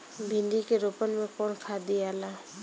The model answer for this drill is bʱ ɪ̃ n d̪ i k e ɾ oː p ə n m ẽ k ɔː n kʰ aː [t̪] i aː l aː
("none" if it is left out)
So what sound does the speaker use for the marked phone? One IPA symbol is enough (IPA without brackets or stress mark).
d̪